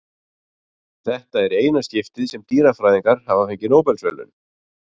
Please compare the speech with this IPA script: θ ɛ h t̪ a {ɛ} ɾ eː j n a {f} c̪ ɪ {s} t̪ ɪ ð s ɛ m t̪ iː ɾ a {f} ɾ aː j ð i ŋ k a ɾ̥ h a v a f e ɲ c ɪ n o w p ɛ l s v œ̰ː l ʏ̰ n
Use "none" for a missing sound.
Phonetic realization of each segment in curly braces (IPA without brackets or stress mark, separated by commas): ɛ, s, f, f